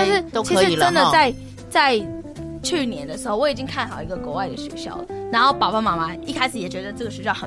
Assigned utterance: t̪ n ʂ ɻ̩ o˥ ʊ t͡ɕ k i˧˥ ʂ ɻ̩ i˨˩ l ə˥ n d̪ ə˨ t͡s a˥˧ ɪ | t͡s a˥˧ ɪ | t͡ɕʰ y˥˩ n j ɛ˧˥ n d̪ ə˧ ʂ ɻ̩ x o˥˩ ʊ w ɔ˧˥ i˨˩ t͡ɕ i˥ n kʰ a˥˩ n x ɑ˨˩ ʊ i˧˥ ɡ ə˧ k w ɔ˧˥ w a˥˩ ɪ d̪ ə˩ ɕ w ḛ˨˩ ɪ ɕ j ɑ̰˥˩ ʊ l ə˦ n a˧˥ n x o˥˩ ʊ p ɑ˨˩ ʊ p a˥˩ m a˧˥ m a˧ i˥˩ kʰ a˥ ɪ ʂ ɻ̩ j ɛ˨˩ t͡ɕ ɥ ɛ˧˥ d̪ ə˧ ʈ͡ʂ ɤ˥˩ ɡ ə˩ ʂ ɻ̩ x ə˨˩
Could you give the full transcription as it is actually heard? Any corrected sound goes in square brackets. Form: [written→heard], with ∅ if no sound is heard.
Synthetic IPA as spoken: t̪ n ʂ ɻ̩ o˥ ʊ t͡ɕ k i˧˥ ʂ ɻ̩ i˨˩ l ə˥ n d̪ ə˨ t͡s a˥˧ ɪ | t͡s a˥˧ ɪ | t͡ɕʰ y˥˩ n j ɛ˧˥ n d̪ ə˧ ʂ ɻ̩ x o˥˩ ʊ w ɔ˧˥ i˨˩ t͡ɕ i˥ [n→ŋ] kʰ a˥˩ n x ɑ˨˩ ʊ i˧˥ ɡ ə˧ k w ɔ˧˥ w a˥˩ ɪ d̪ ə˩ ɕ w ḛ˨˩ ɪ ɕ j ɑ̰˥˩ ʊ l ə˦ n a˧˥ n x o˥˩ ʊ p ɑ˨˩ ʊ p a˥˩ m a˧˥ m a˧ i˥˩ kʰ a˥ ɪ ʂ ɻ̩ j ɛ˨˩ t͡ɕ ɥ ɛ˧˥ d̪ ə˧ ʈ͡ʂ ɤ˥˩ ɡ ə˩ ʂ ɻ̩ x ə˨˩